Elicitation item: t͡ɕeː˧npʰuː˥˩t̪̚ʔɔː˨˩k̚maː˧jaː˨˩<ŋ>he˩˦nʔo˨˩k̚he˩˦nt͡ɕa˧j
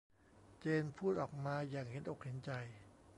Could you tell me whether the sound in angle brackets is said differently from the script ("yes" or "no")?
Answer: no